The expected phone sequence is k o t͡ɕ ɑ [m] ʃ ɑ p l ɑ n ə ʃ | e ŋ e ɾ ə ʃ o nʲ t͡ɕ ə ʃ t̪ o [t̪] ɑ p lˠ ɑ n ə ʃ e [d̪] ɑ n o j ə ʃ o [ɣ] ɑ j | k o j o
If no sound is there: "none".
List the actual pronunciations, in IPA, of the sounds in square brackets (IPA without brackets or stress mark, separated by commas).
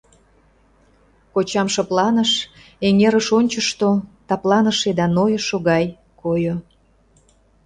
m, t̪, d̪, ɣ